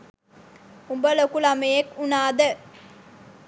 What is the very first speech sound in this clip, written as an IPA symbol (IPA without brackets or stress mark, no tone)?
u